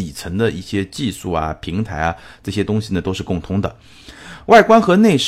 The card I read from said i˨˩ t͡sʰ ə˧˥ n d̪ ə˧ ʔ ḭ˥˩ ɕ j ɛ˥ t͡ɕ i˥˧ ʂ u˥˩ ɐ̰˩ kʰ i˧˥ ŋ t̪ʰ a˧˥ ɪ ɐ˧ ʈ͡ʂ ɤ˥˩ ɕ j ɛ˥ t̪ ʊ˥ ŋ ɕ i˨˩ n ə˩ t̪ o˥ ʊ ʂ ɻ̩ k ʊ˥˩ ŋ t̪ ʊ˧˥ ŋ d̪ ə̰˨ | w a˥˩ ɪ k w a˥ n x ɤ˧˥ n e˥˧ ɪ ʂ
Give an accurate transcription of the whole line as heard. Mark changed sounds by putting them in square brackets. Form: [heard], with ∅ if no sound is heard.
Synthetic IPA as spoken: i˨˩ t͡sʰ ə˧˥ [ŋ] d̪ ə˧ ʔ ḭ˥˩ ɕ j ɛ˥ t͡ɕ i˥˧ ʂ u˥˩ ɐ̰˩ [pʰ] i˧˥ ŋ t̪ʰ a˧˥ ɪ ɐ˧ ʈ͡ʂ ɤ˥˩ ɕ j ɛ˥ t̪ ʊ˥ ŋ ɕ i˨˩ n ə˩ t̪ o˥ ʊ ʂ ɻ̩ k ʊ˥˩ ŋ [t̪ʰ] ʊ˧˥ ŋ d̪ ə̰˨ | w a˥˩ ɪ k w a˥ n x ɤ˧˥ n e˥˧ ɪ ʂ